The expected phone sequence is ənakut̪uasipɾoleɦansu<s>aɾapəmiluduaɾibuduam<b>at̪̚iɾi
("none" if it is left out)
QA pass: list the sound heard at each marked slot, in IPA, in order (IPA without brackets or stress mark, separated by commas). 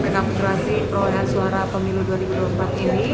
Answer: none, p